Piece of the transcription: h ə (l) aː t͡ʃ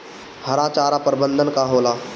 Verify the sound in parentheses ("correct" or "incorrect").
incorrect